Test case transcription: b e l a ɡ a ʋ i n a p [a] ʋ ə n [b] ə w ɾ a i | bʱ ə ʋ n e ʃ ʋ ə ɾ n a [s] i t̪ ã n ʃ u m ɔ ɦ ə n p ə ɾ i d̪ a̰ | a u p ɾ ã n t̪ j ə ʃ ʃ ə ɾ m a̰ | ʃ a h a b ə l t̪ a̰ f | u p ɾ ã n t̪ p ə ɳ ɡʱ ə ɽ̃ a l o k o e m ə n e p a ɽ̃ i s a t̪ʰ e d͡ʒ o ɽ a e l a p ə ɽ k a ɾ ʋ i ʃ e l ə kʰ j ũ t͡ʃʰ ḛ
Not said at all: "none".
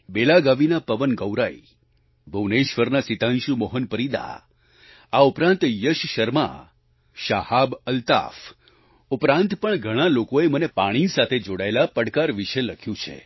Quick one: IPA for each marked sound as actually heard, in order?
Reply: ə, ɡ, s

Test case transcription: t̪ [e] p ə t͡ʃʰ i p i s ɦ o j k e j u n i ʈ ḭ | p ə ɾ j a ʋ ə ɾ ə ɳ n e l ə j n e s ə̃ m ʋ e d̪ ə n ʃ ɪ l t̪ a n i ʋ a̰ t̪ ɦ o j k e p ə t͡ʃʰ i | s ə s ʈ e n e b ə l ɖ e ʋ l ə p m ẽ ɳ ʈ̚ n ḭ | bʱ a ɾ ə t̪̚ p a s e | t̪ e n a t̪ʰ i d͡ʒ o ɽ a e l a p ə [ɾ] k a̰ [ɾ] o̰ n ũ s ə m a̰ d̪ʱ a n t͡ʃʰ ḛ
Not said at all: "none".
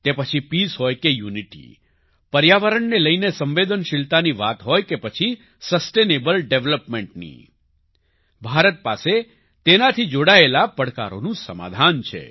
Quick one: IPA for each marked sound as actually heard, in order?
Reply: e, ɽ, ɾ

